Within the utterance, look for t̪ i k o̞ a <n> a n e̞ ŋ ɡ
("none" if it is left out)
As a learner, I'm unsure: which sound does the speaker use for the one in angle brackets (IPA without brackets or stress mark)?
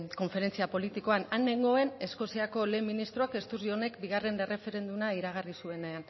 n